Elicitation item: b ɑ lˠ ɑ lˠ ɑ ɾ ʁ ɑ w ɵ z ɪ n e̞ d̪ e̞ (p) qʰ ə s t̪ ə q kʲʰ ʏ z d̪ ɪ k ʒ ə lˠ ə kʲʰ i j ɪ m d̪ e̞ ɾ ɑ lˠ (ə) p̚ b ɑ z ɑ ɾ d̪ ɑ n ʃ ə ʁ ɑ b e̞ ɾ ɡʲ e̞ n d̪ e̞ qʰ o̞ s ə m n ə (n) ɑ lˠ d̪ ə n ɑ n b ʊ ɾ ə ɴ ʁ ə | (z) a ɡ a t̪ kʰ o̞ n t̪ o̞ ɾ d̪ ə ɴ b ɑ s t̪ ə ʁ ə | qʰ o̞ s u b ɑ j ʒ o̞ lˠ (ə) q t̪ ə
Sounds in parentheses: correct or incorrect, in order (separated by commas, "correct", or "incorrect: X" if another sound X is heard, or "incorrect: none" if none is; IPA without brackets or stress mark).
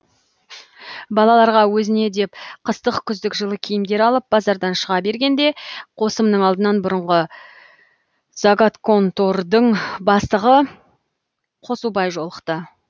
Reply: correct, correct, incorrect: ɴ, correct, correct